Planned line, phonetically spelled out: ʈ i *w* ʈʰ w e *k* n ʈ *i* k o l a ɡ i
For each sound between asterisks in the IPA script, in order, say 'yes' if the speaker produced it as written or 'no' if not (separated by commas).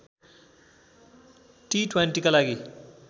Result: no, no, yes